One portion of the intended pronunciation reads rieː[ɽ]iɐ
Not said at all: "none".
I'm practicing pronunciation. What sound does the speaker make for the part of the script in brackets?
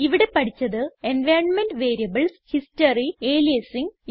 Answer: l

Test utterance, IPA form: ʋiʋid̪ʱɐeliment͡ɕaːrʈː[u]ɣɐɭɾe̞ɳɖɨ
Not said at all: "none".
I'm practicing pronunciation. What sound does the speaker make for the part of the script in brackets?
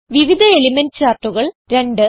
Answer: u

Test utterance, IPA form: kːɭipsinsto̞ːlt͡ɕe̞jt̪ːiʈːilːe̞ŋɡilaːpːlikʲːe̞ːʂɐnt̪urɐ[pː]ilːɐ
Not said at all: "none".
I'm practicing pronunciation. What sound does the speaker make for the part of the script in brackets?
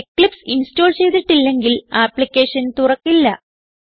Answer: kː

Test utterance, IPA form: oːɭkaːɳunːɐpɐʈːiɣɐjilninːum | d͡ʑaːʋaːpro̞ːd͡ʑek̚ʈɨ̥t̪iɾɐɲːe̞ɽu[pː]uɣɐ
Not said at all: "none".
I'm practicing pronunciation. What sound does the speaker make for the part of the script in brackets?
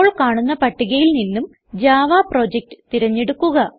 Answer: kː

